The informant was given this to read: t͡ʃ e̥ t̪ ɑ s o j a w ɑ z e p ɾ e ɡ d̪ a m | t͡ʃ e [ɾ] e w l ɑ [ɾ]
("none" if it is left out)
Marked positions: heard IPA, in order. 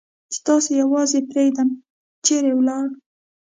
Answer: ɾ, ɽ

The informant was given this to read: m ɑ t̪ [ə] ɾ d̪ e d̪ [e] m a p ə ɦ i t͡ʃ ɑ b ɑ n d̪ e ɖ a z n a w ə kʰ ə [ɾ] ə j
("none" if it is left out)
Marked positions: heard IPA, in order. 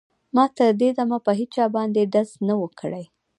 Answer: ə, a, ɽ

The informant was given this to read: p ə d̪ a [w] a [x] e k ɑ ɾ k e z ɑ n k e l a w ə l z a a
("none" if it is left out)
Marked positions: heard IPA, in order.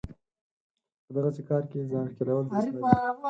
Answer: ɣ, s

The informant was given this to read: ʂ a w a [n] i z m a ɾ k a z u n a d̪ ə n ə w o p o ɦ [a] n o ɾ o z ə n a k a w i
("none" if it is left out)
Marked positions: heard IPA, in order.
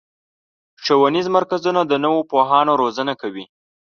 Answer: n, ɑ

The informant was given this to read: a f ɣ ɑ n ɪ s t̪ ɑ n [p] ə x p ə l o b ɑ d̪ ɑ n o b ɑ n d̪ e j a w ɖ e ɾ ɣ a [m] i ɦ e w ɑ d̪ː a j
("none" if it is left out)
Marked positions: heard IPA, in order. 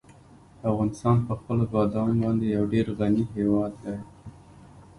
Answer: p, n

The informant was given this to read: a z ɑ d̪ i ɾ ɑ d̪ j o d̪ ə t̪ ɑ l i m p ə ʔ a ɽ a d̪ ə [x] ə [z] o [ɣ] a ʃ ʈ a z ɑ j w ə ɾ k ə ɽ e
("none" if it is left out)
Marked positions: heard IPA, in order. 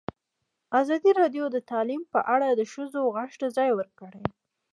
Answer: ʃ, z, ɣ

